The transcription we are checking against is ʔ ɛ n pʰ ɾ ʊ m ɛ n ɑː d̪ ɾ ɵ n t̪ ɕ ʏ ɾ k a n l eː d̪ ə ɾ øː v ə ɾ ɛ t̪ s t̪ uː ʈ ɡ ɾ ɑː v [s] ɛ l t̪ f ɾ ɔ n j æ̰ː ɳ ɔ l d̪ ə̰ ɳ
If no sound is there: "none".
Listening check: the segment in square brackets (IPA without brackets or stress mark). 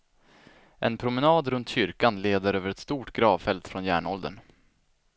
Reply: f